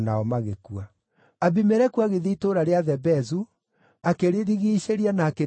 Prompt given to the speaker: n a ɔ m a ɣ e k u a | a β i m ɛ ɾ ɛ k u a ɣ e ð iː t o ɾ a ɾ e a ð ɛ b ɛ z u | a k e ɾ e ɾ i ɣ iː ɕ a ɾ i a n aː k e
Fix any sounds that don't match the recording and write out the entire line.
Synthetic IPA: n a ɔ m a ɣ e k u a | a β i m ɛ ɾ ɛ k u a ɣ e ð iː t o ɾ a ɾ e a ð ɛ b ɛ z u | a k e ɾ e ɾ i ɣ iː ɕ e ɾ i a n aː k e

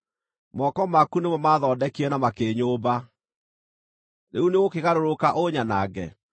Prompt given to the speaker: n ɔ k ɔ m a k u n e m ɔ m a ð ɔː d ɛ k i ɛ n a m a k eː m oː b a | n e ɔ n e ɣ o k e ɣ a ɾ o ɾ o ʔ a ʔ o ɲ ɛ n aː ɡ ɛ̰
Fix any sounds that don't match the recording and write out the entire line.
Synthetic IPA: m ɔ k ɔ m a k u n e m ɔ m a ð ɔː d ɛ k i ɛ n a m a k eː ɲ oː b a | n e u n e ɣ o k e ɣ a ɾ o ɾ o k a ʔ o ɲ a n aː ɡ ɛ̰

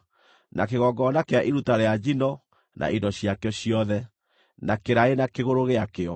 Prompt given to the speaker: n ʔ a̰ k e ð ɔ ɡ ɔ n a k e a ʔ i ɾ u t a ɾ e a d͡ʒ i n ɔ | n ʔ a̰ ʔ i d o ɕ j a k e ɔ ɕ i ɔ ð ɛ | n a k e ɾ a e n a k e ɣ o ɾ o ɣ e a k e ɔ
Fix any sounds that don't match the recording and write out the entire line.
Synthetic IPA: n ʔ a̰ k e ɣ ɔ ɡ ɔ n a k e a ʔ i ɾ u t a ɾ e a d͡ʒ i n ɔ | n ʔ a̰ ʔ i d ɔ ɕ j a k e ɔ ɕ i ɔ ð ɛ | n a k e ɾ a e n a k e ɣ o ɾ o ɣ e a k e ɔ

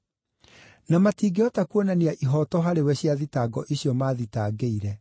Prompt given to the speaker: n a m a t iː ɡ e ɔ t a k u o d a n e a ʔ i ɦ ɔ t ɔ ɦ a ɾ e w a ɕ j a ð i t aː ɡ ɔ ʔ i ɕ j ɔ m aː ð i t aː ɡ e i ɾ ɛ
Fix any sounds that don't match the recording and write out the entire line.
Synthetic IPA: n a m a t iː ɡ e ɔ t a k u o n a n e a ʔ i ɦ ɔ t ɔ ɦ a ɾ e w ɛ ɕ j a ð i t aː ɡ ɔ ʔ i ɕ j ɔ m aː ð i t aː ɡ e i ɾ ɛ

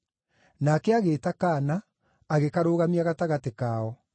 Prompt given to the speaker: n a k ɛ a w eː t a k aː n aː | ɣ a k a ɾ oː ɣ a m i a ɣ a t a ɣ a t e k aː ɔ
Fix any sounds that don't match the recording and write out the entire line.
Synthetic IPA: n a k ɛ a ɣ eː t a k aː n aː | ɣ e k a ɾ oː ɣ a m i a ɣ a t a ɣ a t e k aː ɔ

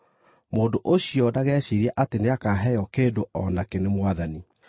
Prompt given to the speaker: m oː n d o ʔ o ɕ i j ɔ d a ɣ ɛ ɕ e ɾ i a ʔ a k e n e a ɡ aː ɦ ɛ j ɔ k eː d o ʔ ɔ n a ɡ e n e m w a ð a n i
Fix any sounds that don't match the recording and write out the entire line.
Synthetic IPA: m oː n d o ʔ o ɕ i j ɔ d a ɣ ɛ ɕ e ɾ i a ʔ a t e n e a k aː ɦ ɛ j ɔ k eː d o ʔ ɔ n a k e n e m w a ð a n i

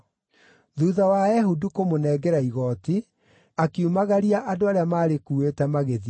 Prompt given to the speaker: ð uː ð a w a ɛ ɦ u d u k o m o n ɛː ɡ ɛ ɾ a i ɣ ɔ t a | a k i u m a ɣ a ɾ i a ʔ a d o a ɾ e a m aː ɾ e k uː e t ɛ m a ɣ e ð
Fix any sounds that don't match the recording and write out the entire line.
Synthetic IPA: ð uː ð a w a ɛ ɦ u d u k o m o n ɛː ɡ ɛ ɾ a i ɣ ɔ t i | a k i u m a ɣ a ɾ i a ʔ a d o a ɾ e a m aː ɾ e k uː e t ɛ m a ɣ e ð

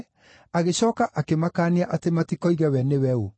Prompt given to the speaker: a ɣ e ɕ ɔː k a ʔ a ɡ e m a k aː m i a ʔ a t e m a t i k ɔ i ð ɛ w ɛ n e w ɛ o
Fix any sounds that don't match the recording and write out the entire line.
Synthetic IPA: a ɣ e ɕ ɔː k a ʔ a k e m a k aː n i a ʔ a t e m a t i k ɔ i ɣ ɛ w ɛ n e w ɛ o

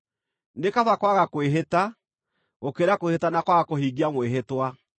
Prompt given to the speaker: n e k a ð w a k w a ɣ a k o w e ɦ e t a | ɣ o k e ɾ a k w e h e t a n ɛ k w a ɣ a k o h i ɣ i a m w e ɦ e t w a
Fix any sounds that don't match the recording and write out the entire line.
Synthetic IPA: n e k a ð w a k w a ɣ a k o w e ɦ e t a | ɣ o k e ɾ a k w e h e t a n a k w a ɣ a k o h i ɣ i a m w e ɦ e t w a

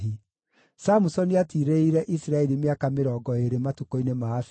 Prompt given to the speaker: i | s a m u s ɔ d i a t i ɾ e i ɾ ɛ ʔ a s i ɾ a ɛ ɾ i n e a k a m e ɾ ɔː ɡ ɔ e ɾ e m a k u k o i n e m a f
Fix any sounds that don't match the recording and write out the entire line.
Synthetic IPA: i | s a m u s ɔ n i a t i ɾ e i ɾ ɛ ʔ i s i ɾ a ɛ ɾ i m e a k a m e ɾ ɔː ɡ ɔ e ɾ e m a t u k o i n e m a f

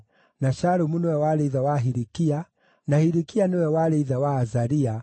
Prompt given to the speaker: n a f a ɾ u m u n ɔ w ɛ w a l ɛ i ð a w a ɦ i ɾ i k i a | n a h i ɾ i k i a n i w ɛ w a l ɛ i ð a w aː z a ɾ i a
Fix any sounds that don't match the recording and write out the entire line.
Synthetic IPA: n a ʃ a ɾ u m u n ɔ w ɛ w a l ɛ i ð a w a ɦ i ɾ i k i a | n a h i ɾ i k i a n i w ɛ w a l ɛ i ð a w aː z a ɾ i a

